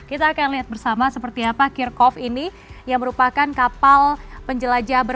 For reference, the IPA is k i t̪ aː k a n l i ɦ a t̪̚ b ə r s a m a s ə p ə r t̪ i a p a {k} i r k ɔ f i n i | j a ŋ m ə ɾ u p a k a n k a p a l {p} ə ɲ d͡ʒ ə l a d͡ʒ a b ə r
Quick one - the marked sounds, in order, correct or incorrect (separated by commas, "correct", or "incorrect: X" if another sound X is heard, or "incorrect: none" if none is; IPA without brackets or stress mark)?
correct, correct